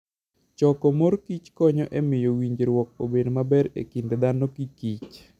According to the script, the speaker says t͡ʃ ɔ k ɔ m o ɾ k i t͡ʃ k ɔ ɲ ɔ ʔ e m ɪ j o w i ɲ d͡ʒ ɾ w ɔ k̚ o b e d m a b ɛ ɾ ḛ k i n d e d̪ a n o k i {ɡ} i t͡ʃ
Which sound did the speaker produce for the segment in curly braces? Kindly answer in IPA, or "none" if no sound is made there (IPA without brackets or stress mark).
k